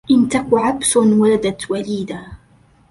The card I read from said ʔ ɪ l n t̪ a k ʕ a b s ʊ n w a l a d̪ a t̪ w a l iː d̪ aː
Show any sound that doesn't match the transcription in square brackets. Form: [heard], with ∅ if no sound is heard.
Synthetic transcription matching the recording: ʔ ɪ [∅] n t̪ a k ʕ a b s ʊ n w a l a d̪ a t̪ w a l iː d̪ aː